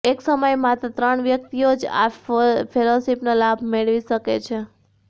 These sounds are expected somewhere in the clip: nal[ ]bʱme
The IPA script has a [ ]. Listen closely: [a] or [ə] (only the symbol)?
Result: a